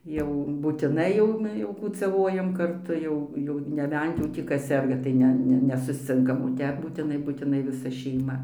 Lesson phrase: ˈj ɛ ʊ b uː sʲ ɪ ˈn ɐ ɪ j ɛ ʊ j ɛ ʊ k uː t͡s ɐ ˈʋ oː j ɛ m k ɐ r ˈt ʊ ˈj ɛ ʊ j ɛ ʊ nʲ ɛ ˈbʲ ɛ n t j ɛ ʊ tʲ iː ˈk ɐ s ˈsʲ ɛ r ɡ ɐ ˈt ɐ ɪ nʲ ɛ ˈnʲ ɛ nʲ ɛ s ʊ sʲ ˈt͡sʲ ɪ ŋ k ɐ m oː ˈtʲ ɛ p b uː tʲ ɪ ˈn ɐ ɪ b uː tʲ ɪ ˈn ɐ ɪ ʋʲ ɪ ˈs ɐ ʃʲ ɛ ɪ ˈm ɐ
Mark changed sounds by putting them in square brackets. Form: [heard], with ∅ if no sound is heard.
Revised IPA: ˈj ɛ ʊ b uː [tʲ] ɪ ˈn ɐ ɪ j ɛ ʊ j ɛ ʊ k uː t͡s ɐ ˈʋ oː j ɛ m k ɐ r ˈt ʊ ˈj ɛ ʊ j ɛ ʊ nʲ ɛ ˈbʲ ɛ n t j ɛ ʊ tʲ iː ˈk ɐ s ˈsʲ ɛ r ɡ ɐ ˈt ɐ ɪ nʲ ɛ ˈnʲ ɛ nʲ ɛ s ʊ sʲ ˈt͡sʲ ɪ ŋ k ɐ m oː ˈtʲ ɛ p b uː tʲ ɪ ˈn ɐ ɪ b uː tʲ ɪ ˈn ɐ ɪ ʋʲ ɪ ˈs ɐ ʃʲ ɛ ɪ ˈm ɐ

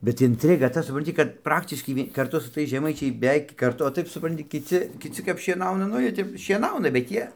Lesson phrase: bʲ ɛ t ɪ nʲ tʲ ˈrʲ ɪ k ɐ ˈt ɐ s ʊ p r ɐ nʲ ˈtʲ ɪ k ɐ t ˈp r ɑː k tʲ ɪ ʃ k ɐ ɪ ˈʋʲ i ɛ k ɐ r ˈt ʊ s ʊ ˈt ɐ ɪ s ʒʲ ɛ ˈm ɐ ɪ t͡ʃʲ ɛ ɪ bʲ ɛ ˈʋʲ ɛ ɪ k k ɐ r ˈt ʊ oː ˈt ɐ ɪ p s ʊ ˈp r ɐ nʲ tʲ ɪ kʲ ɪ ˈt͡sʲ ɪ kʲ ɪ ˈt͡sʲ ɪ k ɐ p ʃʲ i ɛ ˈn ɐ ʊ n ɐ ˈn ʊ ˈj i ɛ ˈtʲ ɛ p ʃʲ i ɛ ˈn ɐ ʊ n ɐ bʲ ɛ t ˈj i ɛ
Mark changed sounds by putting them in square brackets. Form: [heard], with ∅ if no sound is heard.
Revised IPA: bʲ ɛ t ɪ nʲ tʲ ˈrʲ ɪ [ɡ] ɐ ˈt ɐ s ʊ p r ɐ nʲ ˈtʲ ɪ k ɐ t ˈp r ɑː k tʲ ɪ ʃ k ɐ ɪ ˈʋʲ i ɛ k ɐ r ˈt ʊ s ʊ ˈt ɐ ɪ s ʒʲ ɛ ˈm ɐ ɪ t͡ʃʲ ɛ ɪ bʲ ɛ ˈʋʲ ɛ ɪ k k ɐ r ˈt ʊ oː ˈt ɐ ɪ p s ʊ ˈp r ɐ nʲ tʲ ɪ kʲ ɪ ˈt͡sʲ ɪ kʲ ɪ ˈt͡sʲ ɪ k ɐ p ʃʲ i ɛ ˈn ɐ ʊ n ɐ ˈn ʊ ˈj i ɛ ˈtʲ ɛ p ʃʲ i ɛ ˈn ɐ ʊ n ɐ bʲ ɛ t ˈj i ɛ

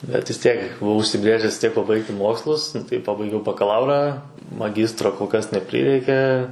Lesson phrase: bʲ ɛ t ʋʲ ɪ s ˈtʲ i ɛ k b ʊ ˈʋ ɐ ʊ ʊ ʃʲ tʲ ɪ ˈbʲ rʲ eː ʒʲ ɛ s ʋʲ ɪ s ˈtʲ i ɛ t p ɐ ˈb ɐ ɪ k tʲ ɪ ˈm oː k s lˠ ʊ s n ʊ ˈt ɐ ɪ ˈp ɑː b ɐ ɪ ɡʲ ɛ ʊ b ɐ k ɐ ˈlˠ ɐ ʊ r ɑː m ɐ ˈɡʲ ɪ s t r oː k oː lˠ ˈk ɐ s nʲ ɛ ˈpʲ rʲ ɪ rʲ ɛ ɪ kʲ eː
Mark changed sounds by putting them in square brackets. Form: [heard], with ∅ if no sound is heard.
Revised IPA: bʲ ɛ t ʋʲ ɪ s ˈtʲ i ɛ k b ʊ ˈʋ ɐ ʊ ʊ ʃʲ [sʲ] ɪ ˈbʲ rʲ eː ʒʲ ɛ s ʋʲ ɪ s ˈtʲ i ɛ [k] p ɐ ˈb ɐ ɪ k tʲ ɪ ˈm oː k s lˠ ʊ s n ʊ ˈt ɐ ɪ ˈp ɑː b ɐ ɪ ɡʲ ɛ ʊ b ɐ k ɐ ˈlˠ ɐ ʊ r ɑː m ɐ ˈɡʲ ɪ s t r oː k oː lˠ ˈk ɐ s nʲ ɛ ˈpʲ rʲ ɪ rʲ ɛ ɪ kʲ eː

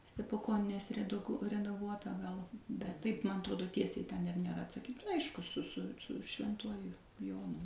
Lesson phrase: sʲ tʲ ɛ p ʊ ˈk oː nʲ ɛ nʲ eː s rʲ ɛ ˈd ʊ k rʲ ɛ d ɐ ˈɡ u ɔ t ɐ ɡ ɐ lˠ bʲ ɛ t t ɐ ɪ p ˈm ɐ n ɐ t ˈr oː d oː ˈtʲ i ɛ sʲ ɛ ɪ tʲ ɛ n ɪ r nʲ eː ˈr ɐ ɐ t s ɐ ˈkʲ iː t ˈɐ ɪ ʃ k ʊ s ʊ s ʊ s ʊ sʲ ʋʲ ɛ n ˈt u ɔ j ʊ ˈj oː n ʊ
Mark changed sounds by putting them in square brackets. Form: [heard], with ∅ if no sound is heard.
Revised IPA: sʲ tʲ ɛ p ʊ ˈk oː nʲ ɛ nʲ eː s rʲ ɛ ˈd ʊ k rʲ ɛ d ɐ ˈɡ u ɔ t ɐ ɡ ɐ lˠ bʲ ɛ t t ɐ ɪ p ˈm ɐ n ɐ t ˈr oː d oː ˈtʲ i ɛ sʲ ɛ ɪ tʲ ɛ n ɪ r nʲ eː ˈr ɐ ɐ t s ɐ ˈkʲ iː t ˈɐ ɪ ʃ k ʊ s ʊ s ʊ s ʊ [ʃʲ] ʋʲ ɛ n ˈt u ɔ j ʊ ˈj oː n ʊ

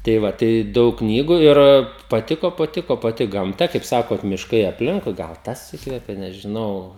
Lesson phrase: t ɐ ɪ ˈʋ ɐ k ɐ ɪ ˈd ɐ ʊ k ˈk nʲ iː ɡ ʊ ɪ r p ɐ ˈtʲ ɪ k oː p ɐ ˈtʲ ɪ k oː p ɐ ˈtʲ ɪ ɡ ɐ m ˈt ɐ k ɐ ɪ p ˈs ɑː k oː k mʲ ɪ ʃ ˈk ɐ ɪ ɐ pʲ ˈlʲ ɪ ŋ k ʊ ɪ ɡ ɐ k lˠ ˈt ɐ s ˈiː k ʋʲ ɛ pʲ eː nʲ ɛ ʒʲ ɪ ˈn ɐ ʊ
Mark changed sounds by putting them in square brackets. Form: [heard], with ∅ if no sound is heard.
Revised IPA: t ɐ ɪ ˈʋ ɐ [t] ɐ ɪ ˈd ɐ ʊ k ˈk nʲ iː ɡ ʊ ɪ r p ɐ ˈtʲ ɪ k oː p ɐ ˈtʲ ɪ k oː p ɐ ˈtʲ ɪ ɡ ɐ m ˈt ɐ k ɐ ɪ p ˈs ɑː k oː [t] mʲ ɪ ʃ ˈk ɐ ɪ ɐ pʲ ˈlʲ ɪ ŋ k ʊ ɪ ɡ ɐ [∅] lˠ ˈt ɐ s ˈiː k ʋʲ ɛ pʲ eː nʲ ɛ ʒʲ ɪ ˈn ɐ ʊ

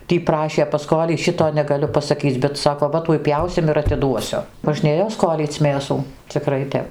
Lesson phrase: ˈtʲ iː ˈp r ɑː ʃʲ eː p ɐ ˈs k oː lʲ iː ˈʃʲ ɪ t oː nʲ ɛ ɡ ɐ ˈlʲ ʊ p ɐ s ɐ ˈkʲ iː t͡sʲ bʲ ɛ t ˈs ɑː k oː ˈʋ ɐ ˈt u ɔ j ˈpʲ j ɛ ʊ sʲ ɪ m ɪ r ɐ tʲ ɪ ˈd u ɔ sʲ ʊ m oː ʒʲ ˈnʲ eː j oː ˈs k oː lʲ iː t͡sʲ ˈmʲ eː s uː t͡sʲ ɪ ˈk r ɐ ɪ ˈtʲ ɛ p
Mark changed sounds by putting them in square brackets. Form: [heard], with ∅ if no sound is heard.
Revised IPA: ˈtʲ iː ˈp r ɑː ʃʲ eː p ɐ ˈs k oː lʲ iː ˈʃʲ ɪ t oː nʲ ɛ ɡ ɐ ˈlʲ ʊ p ɐ s ɐ ˈkʲ iː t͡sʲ bʲ ɛ t ˈs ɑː k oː ˈʋ ɐ ˈt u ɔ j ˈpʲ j ɛ ʊ sʲ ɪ m ɪ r ɐ tʲ ɪ ˈd u ɔ sʲ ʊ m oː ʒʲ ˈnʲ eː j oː ˈs k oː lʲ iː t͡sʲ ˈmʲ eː s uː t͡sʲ ɪ ˈk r ɐ ɪ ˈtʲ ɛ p

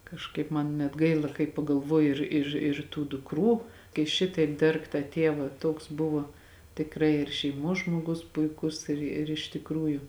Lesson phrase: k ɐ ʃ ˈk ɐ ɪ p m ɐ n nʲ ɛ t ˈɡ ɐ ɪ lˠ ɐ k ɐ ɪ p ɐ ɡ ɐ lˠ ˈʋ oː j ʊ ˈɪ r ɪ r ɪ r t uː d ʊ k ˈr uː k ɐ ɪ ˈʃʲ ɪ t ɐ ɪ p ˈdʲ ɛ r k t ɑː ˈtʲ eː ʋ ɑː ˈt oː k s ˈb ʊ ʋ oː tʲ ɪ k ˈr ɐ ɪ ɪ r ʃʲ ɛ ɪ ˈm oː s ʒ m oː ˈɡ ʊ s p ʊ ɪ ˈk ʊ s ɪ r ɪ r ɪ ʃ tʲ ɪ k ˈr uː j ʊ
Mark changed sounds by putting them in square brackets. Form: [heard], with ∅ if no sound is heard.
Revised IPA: k ɐ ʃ ˈk ɐ ɪ p m ɐ n nʲ ɛ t ˈɡ ɐ ɪ lˠ ɐ k ɐ ɪ p ɐ ɡ ɐ lˠ ˈʋ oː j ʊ ˈɪ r ɪ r ɪ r t uː d ʊ k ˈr uː k ɐ ɪ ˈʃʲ ɪ t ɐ ɪ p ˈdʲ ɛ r k t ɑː ˈtʲ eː ʋ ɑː ˈt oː k s ˈb ʊ ʋ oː tʲ ɪ k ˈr ɐ ɪ ɪ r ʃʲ ɛ ɪ ˈm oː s ʒ m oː ˈɡ ʊ s p ʊ ɪ ˈk ʊ s ɪ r ɪ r ɪ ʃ tʲ ɪ k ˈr uː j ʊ

